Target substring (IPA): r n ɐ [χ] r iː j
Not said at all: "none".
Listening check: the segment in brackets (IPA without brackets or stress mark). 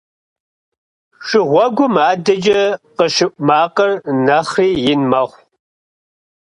χ